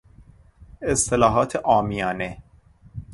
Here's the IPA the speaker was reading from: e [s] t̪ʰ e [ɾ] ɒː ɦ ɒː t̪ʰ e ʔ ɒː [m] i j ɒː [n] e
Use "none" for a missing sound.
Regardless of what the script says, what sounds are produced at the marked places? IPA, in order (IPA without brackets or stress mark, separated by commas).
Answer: s, l, m, n